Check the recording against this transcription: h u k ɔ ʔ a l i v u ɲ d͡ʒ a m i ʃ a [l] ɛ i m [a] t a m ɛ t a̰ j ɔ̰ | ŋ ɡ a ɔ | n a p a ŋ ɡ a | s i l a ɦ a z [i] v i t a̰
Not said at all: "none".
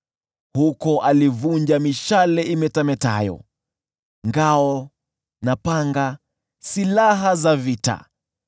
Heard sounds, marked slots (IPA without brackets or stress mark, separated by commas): l, ɛ, a